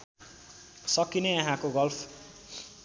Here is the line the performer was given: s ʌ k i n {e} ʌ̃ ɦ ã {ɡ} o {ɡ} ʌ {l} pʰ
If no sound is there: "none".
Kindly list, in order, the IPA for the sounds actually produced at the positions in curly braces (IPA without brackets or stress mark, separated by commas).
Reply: e, k, ɡ, l